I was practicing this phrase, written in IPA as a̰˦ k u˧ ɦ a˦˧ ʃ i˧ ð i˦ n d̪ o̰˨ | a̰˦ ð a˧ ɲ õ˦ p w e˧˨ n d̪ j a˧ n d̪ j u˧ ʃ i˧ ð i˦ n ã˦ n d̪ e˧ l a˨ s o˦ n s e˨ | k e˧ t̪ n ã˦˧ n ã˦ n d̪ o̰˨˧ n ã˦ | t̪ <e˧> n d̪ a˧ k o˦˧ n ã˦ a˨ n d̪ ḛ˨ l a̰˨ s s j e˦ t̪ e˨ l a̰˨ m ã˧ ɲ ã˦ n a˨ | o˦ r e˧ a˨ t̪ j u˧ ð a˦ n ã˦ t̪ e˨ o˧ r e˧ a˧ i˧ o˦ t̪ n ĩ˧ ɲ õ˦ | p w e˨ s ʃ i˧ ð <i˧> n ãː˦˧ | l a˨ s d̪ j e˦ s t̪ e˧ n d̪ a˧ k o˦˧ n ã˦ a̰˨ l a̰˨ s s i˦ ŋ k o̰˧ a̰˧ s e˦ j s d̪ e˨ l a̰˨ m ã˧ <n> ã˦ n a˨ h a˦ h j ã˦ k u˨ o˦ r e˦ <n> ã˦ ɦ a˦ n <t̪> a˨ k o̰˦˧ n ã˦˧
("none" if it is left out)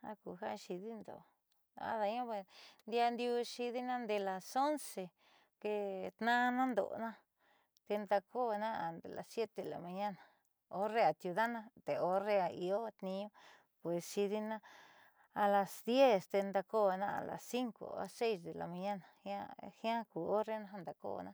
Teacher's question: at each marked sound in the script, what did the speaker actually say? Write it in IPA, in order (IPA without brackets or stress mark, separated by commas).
e˧, i˧, ɲ, n, d̪